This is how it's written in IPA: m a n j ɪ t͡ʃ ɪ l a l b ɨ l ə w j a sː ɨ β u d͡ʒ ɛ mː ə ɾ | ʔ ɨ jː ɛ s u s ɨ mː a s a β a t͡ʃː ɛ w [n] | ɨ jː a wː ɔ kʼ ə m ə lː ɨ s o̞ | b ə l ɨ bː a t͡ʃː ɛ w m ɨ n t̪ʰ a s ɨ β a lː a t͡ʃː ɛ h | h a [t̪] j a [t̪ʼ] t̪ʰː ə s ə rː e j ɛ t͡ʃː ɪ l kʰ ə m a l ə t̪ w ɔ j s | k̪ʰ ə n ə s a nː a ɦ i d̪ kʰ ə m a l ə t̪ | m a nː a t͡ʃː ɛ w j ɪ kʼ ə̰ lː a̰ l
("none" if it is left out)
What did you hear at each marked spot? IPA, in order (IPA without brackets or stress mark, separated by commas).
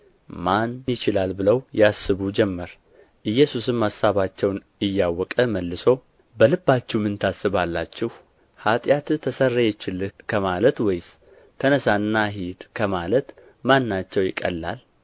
n, t̪ʼ, t̪